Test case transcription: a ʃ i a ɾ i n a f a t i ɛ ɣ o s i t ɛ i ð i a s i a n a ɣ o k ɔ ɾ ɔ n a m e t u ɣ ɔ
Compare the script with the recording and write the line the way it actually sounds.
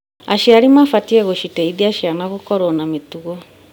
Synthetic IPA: a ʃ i a ɾ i m a f a t i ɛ ɣ o ʃ i t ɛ i ð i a ʃ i a n a ɣ o k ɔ ɾ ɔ n a m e t u ɣ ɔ